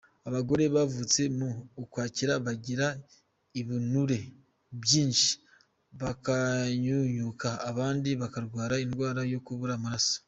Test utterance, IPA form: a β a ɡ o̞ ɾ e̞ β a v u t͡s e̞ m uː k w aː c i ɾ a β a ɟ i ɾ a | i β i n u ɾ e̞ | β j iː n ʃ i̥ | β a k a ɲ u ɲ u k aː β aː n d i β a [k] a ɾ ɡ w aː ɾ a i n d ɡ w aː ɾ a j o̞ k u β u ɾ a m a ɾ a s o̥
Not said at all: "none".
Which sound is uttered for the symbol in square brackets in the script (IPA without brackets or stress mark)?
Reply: k